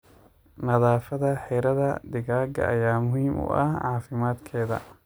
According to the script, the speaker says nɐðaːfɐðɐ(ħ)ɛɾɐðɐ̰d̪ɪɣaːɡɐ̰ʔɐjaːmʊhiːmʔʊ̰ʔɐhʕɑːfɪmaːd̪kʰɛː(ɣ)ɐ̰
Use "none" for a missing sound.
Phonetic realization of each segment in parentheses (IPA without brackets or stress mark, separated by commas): ħ, ð